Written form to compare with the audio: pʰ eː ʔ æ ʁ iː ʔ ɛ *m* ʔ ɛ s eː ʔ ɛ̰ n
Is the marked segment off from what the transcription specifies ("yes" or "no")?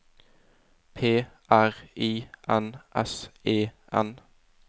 yes